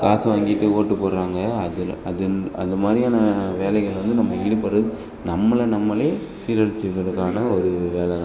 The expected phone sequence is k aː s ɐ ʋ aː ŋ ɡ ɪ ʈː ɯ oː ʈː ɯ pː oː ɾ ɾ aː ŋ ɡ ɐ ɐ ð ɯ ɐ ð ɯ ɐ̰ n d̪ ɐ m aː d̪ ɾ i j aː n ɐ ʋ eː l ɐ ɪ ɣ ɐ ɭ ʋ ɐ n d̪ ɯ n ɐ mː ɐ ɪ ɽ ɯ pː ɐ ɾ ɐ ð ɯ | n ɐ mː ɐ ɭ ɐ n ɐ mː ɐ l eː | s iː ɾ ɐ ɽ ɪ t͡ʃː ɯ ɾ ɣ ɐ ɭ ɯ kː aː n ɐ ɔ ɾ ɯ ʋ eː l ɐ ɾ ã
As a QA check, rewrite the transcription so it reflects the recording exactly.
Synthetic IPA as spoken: k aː s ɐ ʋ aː ŋ ɡ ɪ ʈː ɯ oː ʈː ɯ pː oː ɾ ɾ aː ŋ ɡ ɐ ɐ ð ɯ ɐ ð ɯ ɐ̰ n d̪ ɐ m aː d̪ ɾ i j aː n ɐ ʋ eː l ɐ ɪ ɣ ɐ ɭ ʋ ɐ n d̪ ɯ n ɐ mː ɐ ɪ ɽ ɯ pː ɐ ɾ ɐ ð ɯ | n ɐ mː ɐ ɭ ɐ n ɐ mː ɐ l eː | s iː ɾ ɐ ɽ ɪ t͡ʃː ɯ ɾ ɣ ɐ ɭ ɯ kː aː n ɐ ɔ ɾ ɯ ʋ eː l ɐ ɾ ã